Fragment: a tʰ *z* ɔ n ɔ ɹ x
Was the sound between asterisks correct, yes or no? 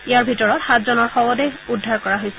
yes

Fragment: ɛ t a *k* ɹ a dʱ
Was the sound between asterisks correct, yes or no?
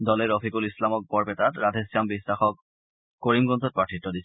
no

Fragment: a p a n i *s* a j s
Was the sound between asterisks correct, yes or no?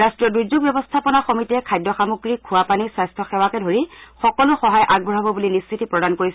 yes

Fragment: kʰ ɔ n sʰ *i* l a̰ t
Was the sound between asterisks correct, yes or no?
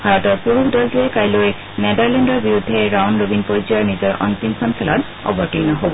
no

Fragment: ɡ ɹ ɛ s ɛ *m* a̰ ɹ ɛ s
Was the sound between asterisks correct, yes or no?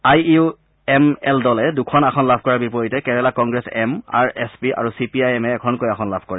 yes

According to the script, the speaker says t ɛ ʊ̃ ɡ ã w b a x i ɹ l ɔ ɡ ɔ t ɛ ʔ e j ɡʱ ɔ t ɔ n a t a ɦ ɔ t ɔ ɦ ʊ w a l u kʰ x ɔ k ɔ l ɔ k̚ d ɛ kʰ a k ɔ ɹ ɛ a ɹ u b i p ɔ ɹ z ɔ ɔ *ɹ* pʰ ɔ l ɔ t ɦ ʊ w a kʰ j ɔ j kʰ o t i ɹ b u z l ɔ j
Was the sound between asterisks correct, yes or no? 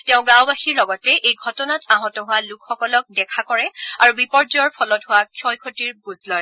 yes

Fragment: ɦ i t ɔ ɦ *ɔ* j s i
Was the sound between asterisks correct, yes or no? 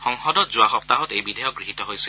no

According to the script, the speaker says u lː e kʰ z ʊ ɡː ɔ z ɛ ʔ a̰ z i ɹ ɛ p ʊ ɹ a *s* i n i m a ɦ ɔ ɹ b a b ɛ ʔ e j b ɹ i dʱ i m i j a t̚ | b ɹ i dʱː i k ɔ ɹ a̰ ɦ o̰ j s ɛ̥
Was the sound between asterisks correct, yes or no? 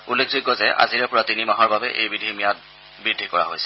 no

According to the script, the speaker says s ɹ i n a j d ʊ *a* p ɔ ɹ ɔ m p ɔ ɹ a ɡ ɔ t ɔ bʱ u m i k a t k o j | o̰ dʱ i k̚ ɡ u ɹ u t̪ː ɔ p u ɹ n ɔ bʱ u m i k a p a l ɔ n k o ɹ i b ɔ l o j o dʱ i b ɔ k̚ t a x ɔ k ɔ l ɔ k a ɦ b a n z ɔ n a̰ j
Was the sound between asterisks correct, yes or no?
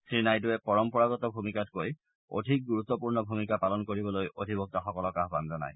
no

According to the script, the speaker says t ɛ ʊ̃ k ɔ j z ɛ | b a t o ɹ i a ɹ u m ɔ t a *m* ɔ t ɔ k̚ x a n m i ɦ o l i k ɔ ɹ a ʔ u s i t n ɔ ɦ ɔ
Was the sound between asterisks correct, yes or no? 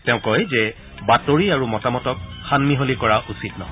yes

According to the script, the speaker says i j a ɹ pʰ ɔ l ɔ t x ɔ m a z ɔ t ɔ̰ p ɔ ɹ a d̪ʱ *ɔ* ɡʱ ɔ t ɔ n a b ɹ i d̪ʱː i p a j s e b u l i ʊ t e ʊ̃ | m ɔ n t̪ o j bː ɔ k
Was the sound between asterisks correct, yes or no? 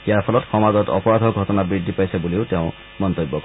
yes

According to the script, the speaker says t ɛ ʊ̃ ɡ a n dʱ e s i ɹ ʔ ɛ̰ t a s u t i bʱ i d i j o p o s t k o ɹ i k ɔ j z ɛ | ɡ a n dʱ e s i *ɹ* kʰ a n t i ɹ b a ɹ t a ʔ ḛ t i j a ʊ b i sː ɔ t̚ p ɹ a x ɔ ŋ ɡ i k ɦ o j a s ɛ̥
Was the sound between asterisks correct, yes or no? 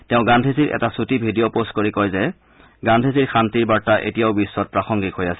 yes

